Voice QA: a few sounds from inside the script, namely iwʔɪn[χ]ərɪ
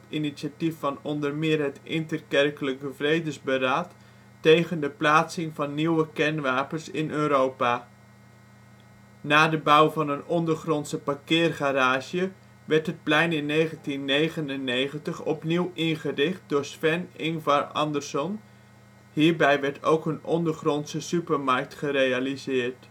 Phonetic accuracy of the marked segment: correct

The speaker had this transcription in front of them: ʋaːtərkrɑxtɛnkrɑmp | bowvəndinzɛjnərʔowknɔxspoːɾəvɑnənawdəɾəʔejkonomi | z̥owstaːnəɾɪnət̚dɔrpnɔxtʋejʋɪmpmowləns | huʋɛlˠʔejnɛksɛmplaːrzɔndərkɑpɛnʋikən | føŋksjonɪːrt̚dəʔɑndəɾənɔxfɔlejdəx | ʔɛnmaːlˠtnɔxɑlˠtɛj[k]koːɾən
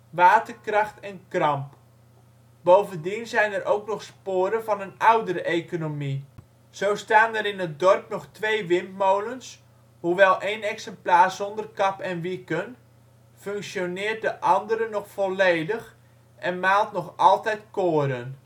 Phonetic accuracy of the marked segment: incorrect: t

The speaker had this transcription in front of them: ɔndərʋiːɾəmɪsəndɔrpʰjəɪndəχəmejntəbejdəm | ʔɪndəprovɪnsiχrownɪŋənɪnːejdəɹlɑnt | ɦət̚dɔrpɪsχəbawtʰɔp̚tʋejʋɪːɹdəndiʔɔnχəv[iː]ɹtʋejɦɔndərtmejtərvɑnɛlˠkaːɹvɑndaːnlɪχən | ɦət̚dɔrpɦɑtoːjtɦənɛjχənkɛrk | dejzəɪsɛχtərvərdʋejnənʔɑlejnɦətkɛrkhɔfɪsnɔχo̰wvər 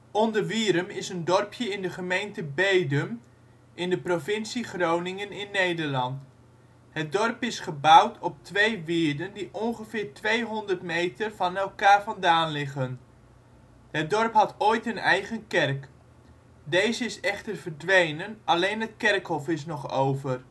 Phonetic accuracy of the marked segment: incorrect: ɪː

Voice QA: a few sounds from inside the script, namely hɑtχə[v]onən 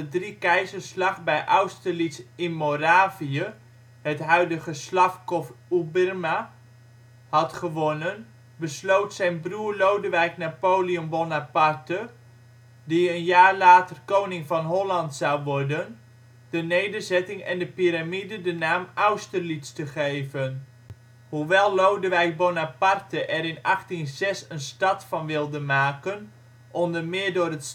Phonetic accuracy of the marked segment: incorrect: ʋ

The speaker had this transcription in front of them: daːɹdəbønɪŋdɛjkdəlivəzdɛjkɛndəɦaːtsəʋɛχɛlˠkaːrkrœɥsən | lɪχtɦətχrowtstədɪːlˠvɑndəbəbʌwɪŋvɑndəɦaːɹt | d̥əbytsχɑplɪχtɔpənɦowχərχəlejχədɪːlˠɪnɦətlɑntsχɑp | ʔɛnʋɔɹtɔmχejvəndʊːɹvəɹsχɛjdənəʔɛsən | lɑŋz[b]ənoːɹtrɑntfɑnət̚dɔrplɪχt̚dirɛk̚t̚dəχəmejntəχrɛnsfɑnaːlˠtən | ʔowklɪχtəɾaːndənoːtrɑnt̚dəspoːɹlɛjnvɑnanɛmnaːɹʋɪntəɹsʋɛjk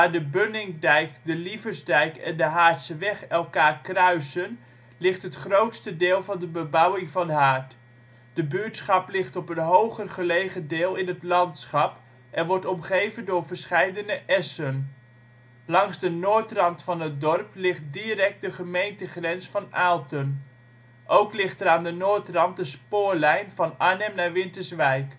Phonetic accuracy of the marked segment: incorrect: d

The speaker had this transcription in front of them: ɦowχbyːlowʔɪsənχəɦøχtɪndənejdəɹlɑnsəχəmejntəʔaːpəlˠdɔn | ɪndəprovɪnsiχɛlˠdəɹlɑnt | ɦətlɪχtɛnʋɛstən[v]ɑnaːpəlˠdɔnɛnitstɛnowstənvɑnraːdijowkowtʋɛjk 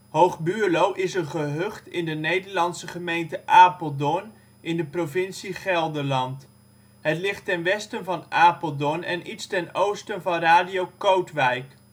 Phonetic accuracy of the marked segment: correct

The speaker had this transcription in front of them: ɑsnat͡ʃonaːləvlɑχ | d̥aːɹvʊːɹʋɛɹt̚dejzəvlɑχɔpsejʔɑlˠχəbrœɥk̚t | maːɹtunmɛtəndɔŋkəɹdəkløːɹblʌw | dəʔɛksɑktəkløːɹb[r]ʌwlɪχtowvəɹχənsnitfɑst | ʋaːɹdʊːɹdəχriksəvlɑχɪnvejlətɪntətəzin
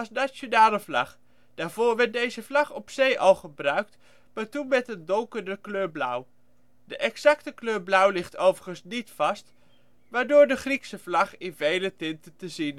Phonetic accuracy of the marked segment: incorrect: l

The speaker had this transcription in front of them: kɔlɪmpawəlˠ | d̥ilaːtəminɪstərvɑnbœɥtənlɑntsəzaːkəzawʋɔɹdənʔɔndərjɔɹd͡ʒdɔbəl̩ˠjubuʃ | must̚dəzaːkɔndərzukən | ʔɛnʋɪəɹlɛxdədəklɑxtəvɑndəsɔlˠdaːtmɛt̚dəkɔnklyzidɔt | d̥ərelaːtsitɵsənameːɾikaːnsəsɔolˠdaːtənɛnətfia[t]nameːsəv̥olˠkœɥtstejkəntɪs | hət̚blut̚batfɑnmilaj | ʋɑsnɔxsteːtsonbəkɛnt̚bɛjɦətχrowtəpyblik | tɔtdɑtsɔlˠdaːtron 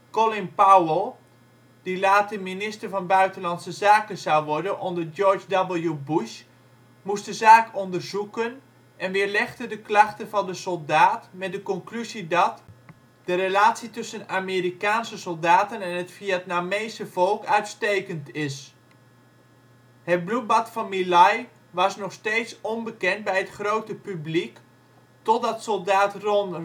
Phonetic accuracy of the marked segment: correct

